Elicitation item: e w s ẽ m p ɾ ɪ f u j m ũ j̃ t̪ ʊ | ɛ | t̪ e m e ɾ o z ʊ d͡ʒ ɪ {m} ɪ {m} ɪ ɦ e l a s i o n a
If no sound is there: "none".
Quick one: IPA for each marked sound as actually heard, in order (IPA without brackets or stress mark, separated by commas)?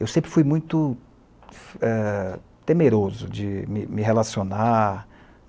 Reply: m, m